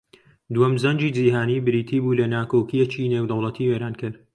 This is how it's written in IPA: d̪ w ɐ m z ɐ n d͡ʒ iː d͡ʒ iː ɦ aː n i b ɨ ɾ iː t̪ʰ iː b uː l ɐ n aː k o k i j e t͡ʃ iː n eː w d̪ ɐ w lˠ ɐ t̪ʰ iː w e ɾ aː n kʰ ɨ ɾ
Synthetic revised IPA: d̪ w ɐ m z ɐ n d͡ʒ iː d͡ʒ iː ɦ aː n i b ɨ ɾ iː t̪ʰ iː b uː l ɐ n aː k o k i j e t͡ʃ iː n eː w d̪ ɐ w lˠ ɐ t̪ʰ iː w e ɾ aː n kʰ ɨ ɾ

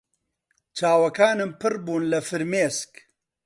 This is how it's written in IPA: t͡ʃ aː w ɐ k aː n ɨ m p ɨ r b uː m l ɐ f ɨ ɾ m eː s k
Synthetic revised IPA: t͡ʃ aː w ɐ k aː n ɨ m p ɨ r b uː n l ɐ f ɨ ɾ m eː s k

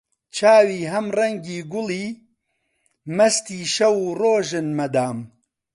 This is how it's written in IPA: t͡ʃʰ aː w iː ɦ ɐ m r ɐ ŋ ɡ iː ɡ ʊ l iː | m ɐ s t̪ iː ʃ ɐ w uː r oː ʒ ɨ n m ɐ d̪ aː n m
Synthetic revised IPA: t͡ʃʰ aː w iː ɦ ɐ m r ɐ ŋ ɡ iː ɡ ʊ l iː | m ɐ s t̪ iː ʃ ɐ w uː r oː ʒ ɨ n m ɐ d̪ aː m

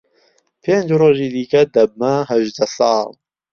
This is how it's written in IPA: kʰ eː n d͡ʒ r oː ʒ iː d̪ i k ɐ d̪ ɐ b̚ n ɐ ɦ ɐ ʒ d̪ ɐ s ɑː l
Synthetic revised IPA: pʰ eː n d͡ʒ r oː ʒ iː d̪ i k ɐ d̪ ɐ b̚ m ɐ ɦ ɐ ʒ d̪ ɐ s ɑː l

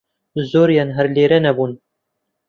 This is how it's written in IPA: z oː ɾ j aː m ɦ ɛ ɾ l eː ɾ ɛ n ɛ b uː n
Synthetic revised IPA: z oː ɾ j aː n ɦ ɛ ɾ l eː ɾ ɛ n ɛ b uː n

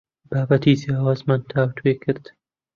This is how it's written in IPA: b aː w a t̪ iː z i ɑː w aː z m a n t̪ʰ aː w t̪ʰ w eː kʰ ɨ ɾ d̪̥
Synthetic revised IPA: b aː b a t̪ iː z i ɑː w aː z m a n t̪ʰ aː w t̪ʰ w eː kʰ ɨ ɾ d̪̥

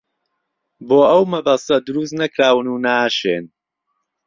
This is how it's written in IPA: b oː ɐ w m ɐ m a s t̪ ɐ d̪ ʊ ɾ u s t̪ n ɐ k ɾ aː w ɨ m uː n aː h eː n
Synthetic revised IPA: b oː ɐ w m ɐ b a s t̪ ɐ d̪ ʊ ɾ u s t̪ n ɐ k ɾ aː w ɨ n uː n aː ʃ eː n

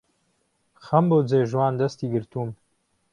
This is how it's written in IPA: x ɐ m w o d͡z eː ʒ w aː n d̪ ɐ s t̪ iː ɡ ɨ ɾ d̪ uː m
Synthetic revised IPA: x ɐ m b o d͡z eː ʒ w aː n d̪ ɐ s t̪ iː ɡ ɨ ɾ t̪ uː m

